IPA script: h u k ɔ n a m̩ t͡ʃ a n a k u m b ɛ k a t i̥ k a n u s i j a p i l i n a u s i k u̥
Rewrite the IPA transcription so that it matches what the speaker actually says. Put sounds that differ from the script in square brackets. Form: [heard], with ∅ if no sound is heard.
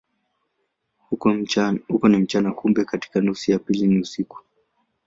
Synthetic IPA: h u k ɔ n [i] m̩ t͡ʃ a n a k u m b ɛ k a t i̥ k a n u s i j a p i l i n [i] u s i k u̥